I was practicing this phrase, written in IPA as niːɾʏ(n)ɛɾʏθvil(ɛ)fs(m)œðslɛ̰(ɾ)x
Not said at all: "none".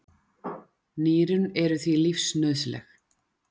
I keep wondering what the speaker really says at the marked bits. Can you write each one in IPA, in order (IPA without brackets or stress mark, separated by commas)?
n, i, n, none